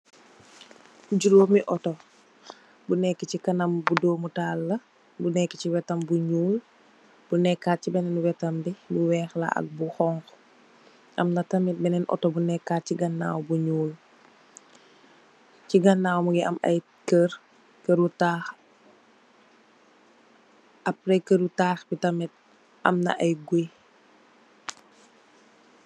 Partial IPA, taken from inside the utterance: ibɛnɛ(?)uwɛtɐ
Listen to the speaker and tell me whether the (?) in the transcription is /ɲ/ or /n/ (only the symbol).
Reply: n